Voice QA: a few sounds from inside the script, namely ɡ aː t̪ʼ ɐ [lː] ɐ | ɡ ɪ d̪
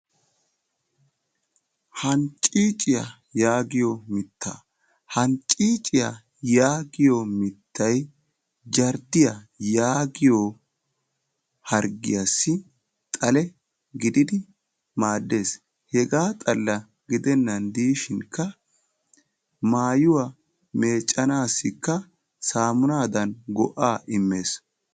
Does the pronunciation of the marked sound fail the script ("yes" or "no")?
no